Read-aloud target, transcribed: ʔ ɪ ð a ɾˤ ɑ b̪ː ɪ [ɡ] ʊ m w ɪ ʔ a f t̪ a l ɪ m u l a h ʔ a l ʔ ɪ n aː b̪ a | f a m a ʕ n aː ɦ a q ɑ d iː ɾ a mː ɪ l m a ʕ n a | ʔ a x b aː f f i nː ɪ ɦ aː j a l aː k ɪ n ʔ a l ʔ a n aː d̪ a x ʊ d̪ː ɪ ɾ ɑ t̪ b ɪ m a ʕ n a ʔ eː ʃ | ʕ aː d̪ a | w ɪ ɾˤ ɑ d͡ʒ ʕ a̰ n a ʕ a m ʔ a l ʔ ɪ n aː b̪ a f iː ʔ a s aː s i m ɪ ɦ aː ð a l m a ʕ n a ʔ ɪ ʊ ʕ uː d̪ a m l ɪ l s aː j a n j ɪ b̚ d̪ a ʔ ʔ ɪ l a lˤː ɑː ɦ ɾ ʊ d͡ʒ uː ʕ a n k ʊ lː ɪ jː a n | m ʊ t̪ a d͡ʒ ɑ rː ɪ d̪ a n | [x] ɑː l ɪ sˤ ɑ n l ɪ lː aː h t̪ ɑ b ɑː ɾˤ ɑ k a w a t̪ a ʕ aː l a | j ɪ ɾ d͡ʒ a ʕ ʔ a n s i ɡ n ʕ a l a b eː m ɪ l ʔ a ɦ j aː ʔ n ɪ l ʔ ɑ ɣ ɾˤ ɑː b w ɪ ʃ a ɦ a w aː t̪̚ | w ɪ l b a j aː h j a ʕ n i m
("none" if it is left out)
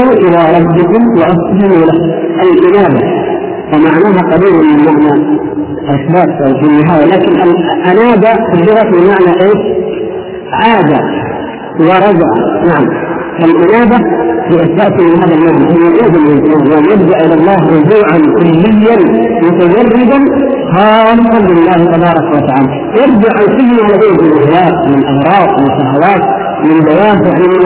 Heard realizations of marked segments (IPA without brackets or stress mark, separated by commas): k, x